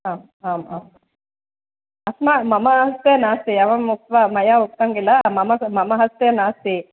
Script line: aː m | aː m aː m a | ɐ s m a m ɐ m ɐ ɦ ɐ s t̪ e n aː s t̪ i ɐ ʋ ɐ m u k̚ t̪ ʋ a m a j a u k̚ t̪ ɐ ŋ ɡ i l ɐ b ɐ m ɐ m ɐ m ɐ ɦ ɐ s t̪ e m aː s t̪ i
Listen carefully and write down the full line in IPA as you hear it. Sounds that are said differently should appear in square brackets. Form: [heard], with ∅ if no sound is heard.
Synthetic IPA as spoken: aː m | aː m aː m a | ɐ s m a m ɐ m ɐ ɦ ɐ s t̪ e n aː s t̪ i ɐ ʋ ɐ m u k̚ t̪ ʋ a m [ɐ] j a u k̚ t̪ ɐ ŋ ɡ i l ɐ [m] ɐ m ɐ m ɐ m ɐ ɦ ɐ s t̪ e [n] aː s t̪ i